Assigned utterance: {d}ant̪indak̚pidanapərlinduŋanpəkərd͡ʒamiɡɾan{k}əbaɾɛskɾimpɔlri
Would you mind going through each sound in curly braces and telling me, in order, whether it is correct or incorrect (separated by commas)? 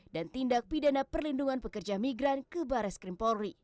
correct, correct